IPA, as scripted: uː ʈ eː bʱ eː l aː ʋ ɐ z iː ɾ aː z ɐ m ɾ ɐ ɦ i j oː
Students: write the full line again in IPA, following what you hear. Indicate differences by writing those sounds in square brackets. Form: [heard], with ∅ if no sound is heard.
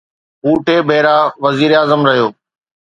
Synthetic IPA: uː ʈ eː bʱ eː [ɾ] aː ʋ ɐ z iː ɾ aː z [ə] m ɾ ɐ ɦ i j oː